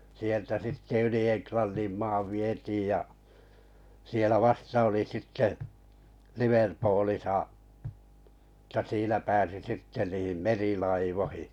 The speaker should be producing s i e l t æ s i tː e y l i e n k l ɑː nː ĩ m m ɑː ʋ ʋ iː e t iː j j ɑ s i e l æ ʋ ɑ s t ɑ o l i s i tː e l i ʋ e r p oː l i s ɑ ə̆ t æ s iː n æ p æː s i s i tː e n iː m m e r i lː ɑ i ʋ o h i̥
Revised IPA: s i e l t æ s i tː e y l i e n k l ɑ nː ĩ m m ɑː ʋ ʋ i e t iː j j ɑ s i e l æ ʋ ɑ s t ɑ o l i s i tː e l i ʋ e r p oː l i s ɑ ə̆ t æ s iː n æ p æː s i s i tː e n iː m m e r i l ɑ i ʋ o h i̥